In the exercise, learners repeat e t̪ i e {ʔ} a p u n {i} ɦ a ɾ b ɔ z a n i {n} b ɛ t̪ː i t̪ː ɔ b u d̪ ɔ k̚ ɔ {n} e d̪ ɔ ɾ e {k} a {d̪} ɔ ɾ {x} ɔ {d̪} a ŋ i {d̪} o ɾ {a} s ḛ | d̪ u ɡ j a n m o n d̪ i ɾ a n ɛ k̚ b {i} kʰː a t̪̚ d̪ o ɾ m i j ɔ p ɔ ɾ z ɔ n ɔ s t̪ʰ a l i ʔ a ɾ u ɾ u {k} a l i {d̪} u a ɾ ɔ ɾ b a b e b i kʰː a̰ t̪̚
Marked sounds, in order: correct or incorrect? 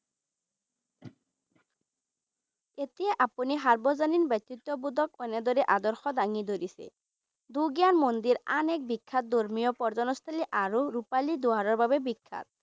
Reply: correct, correct, correct, correct, incorrect: ʔ, correct, correct, correct, correct, incorrect: i, correct, incorrect: p, correct

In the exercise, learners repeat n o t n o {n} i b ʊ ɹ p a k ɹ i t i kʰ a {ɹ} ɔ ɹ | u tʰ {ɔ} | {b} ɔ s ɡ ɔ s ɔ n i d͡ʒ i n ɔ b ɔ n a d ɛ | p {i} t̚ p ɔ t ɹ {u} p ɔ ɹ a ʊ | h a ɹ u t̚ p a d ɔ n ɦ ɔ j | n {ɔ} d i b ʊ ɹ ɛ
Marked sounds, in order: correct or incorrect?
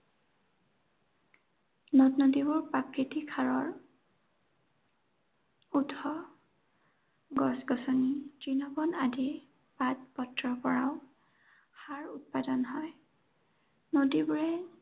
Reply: incorrect: d, correct, correct, incorrect: ɡ, incorrect: a, incorrect: ɔ, incorrect: o

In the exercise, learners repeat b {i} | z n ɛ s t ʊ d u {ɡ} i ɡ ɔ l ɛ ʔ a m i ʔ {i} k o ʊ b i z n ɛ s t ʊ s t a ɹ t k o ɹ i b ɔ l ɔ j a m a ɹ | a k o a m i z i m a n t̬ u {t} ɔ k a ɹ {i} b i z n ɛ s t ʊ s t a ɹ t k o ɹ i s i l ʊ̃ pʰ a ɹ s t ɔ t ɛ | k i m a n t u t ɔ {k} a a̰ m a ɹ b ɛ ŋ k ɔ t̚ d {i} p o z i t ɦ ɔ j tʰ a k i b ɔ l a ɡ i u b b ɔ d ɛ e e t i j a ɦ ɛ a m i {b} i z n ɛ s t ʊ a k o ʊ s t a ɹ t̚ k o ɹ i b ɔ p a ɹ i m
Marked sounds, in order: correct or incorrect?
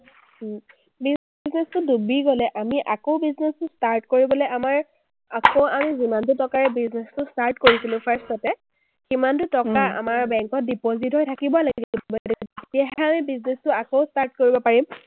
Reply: correct, incorrect: b, incorrect: a, correct, incorrect: ɛ, correct, correct, correct

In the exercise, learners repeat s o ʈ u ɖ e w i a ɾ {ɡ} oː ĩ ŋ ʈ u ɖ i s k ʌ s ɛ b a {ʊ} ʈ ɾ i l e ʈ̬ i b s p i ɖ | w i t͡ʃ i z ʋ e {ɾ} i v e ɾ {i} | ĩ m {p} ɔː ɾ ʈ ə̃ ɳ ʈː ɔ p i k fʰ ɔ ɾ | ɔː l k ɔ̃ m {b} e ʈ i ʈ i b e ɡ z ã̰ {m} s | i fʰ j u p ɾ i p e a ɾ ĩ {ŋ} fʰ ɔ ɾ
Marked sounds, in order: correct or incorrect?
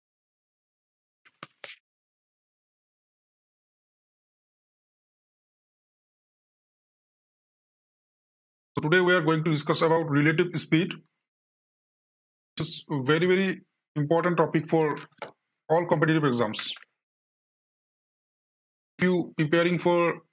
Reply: correct, correct, correct, correct, correct, incorrect: p, correct, correct

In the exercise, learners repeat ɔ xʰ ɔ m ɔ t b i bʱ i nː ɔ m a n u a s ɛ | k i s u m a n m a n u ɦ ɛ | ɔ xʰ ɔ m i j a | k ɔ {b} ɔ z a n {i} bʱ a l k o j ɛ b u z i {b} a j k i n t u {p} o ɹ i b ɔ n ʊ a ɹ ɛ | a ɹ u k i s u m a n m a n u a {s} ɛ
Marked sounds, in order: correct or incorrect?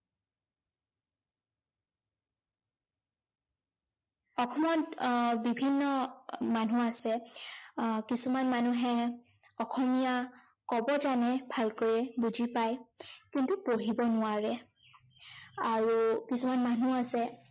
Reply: correct, incorrect: ɛ, incorrect: p, correct, correct

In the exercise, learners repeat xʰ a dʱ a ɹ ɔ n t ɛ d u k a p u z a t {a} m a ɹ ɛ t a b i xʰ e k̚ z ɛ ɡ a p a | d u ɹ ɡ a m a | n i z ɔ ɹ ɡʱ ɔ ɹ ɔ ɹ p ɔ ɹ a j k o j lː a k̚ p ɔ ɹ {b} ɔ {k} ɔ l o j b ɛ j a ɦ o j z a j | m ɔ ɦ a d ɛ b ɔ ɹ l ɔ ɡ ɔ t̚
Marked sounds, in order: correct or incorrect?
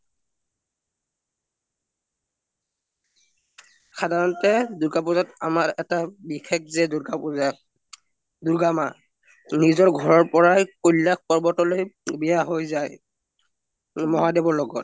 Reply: correct, correct, incorrect: t

